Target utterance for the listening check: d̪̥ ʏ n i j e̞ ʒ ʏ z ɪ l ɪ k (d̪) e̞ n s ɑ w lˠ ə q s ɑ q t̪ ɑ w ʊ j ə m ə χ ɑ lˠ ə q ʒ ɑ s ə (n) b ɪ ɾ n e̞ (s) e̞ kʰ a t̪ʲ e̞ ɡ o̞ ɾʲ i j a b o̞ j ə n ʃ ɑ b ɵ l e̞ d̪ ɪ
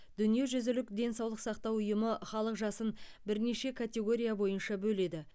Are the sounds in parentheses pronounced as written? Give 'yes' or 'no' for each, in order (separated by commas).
yes, yes, no